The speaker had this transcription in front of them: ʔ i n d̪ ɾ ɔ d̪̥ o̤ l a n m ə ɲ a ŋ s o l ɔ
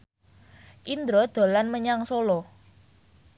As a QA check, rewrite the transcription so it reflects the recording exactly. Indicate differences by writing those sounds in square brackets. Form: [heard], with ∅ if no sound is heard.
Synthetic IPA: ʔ i n d̪ ɾ ɔ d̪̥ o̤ l a n m ə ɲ a ŋ s o l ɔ